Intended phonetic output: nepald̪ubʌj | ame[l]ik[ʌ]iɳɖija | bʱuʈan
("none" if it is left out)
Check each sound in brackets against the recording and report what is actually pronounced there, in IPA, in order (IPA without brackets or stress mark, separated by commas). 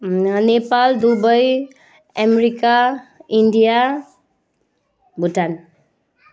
ɾ, a